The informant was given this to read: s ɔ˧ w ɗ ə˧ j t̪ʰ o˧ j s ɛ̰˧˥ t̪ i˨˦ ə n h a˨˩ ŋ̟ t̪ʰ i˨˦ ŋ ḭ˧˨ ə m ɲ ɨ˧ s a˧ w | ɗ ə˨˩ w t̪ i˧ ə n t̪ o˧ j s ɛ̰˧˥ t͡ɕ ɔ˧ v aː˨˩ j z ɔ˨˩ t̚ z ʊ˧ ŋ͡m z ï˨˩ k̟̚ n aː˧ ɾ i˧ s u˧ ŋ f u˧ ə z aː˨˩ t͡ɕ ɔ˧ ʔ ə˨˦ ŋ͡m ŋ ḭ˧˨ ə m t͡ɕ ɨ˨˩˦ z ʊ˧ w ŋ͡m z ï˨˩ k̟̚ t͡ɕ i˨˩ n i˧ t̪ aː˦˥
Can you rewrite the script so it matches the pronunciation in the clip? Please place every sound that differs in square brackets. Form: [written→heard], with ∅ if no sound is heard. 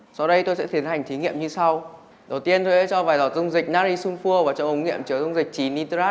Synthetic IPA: s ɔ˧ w ɗ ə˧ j [t̪ʰ→t̪] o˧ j s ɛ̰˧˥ t̪ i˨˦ ə n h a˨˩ ŋ̟ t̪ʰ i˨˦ ŋ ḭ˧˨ ə m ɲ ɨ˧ s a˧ w | ɗ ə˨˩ w t̪ i˧ ə n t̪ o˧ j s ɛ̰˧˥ t͡ɕ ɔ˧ v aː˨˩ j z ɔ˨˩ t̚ z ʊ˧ ŋ͡m z ï˨˩ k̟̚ n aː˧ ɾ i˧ s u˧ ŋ f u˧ ə [z→v] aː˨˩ t͡ɕ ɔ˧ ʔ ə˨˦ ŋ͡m ŋ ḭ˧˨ ə m t͡ɕ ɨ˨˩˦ z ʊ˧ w ŋ͡m z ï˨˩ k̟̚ t͡ɕ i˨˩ n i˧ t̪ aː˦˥